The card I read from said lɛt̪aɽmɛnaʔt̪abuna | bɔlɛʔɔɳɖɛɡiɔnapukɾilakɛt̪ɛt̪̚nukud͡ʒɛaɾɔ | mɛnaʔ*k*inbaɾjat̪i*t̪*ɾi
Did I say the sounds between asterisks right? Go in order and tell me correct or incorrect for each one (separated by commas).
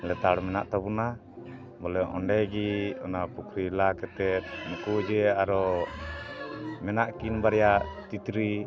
correct, correct